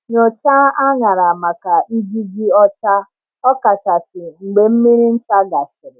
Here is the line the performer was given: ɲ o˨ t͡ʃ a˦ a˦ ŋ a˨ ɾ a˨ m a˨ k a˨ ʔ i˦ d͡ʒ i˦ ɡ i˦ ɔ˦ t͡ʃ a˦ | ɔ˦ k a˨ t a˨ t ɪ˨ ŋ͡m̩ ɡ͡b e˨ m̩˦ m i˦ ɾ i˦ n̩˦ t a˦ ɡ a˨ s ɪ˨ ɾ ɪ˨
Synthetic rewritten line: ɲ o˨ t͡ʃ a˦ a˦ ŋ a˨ ɾ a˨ m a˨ k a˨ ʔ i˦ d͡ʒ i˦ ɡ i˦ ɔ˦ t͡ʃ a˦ | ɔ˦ k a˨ t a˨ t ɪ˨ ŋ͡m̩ ɡ͡b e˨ m̩˦ m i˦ ɾ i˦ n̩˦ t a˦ ɡ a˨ s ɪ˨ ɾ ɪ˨